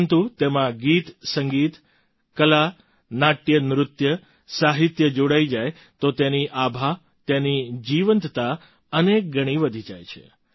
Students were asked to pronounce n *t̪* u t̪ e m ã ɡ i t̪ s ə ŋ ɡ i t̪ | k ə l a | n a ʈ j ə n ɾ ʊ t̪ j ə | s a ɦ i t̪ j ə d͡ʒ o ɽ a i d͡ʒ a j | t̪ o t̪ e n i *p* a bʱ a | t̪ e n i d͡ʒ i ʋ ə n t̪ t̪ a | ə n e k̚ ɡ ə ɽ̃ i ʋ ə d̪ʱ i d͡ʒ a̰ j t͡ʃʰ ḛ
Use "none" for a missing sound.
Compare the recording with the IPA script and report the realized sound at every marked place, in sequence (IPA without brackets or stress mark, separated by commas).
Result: t̪, ʔ